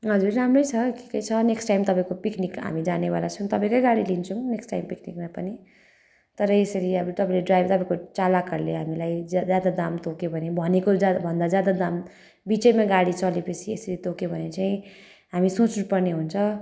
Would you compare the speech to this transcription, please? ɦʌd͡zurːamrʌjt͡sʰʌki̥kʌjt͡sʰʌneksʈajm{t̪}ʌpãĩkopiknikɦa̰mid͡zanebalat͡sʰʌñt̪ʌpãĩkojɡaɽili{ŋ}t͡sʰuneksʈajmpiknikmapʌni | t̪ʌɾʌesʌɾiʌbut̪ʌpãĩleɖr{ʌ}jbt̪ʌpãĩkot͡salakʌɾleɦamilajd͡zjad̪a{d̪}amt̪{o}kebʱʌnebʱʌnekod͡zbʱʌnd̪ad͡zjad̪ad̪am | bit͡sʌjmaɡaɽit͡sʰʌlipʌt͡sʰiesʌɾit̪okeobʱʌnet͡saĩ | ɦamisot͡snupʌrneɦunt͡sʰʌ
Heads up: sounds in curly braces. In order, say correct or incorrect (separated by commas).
correct, incorrect, incorrect, correct, correct